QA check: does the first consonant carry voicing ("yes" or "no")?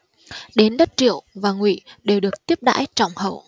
yes